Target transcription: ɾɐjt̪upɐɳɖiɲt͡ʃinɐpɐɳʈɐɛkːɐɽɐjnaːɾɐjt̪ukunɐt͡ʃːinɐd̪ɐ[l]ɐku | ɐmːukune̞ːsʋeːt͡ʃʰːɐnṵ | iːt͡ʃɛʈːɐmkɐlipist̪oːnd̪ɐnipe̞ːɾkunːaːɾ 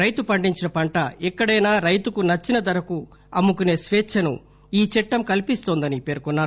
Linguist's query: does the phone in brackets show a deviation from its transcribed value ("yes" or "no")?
yes